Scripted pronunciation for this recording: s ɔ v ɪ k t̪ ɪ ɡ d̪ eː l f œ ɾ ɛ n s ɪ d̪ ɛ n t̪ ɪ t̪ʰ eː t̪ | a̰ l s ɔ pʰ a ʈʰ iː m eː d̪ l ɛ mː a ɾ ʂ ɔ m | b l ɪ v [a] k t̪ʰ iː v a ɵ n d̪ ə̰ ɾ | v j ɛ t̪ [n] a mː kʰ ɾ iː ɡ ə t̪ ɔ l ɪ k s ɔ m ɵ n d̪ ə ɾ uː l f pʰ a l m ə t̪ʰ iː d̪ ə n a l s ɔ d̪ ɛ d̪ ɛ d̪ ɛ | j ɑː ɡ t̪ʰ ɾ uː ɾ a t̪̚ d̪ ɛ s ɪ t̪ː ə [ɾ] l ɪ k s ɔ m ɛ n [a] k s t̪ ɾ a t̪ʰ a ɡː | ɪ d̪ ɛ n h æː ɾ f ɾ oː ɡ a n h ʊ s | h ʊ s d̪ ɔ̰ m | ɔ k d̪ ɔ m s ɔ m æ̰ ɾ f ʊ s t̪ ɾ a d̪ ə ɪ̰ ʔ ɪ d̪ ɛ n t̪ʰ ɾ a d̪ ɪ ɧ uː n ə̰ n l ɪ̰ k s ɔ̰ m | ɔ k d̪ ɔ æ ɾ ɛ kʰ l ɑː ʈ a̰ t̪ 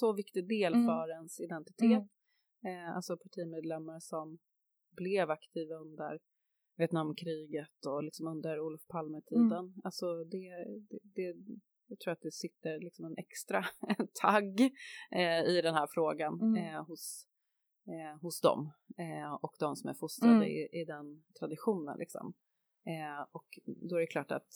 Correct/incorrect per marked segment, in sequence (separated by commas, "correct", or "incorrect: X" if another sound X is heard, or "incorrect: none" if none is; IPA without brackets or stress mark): correct, correct, correct, incorrect: ɛ